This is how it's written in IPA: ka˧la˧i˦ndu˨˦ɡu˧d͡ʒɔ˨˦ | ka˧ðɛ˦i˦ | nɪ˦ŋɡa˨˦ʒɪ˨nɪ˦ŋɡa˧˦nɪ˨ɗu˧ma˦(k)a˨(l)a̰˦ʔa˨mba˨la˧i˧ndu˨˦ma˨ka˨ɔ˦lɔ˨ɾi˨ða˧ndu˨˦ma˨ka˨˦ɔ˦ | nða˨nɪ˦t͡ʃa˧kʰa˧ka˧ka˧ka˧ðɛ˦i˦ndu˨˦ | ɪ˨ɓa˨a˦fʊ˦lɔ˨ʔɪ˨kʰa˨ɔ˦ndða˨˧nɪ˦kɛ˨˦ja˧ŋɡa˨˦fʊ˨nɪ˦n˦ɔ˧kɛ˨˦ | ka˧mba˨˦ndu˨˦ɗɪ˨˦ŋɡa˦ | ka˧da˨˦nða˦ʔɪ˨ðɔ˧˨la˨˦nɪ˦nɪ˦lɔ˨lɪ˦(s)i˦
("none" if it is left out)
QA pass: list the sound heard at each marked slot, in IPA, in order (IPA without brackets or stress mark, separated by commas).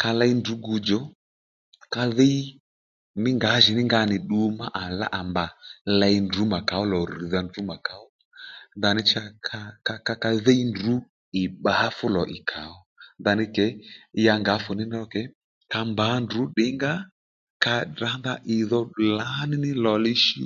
ʔ, l, ʃ